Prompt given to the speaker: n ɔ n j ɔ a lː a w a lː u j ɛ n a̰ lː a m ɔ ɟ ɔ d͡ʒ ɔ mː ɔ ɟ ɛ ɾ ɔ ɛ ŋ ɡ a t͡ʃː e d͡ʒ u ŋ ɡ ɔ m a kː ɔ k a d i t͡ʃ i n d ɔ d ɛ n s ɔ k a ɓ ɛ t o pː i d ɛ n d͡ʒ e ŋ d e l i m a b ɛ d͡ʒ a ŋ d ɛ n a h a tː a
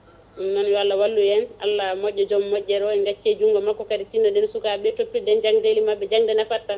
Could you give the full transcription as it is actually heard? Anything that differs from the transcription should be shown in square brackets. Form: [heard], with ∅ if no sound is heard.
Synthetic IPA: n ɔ n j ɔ a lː a w a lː u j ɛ n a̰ lː a m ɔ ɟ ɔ d͡ʒ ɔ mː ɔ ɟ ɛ ɾ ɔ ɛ ŋ ɡ a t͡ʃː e d͡ʒ u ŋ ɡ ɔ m a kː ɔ k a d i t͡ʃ i n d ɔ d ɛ n s [u] k a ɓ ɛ t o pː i d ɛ n d͡ʒ [a] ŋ d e l i m a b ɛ d͡ʒ a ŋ d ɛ n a [f] a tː a